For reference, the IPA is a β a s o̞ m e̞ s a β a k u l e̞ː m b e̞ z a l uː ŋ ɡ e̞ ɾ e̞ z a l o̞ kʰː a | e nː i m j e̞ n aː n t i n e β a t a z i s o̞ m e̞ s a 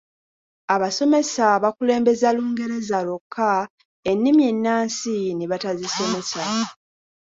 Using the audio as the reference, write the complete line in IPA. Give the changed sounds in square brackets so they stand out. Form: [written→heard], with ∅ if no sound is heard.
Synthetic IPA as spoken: a β a s o̞ m e̞ s a β a k u l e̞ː m b e̞ z a l uː ŋ ɡ e̞ ɾ e̞ z a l o̞ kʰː a | e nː i m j e̞ [n→nː] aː n [t→s] i n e β a t a z i s o̞ m e̞ s a